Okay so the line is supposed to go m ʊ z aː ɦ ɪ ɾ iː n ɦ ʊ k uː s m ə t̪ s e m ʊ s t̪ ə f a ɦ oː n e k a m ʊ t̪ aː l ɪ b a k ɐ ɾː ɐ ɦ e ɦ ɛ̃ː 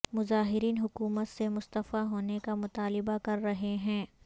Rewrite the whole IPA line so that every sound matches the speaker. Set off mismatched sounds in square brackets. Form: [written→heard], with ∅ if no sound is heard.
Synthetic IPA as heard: m ʊ z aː ɦ ɪ ɾ iː n ɦ ʊ k uː [s→∅] m ə t̪ s e m ʊ s t̪ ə f a ɦ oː n e k a m ʊ t̪ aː l ɪ b a k ɐ ɾː ɐ ɦ e ɦ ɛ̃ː